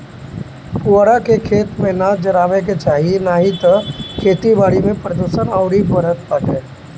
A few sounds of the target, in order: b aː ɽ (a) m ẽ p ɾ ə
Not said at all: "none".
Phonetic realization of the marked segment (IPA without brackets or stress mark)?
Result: i